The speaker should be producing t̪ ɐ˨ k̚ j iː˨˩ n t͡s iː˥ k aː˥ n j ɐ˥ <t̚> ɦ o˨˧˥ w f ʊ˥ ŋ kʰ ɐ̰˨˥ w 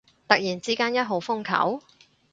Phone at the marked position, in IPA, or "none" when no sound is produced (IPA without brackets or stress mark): t̚